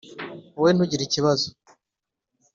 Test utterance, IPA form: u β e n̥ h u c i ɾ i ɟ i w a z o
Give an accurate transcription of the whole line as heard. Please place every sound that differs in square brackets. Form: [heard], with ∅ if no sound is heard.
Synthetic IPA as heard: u [w] e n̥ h u [ɟ] i ɾ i [c] i [β] a z o